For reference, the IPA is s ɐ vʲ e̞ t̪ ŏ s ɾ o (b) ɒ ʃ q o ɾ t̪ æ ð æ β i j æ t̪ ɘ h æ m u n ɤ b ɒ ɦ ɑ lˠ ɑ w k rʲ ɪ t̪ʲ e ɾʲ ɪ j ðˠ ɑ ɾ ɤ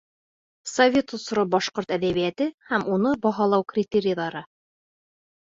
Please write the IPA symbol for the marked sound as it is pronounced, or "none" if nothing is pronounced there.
b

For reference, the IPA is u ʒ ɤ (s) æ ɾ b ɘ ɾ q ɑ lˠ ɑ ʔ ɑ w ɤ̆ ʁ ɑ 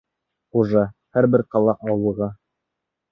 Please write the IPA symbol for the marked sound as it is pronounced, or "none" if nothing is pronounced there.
h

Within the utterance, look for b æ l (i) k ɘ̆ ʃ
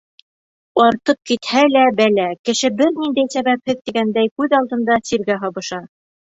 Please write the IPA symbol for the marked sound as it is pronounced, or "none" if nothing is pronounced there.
æ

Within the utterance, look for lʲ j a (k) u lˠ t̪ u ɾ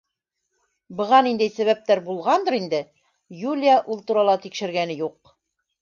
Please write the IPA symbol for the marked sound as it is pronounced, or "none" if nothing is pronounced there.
ʔ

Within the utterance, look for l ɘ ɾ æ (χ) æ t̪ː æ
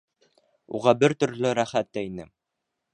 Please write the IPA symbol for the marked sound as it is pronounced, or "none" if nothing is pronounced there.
χ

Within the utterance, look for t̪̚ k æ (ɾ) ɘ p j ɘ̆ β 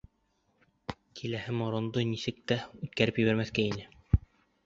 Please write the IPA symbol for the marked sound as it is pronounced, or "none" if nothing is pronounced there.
ɾ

